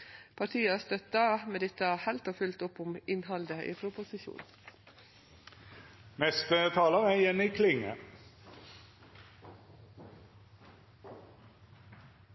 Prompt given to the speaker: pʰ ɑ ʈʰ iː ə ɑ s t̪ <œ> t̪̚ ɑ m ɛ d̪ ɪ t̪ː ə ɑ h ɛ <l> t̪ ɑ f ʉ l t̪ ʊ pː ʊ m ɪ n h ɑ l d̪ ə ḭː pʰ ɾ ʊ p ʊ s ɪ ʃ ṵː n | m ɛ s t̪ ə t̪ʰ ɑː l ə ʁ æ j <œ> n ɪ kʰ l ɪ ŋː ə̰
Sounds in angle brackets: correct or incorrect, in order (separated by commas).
correct, correct, incorrect